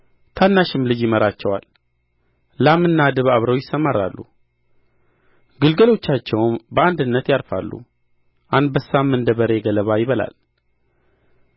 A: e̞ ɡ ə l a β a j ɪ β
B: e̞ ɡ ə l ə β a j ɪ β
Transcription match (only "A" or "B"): B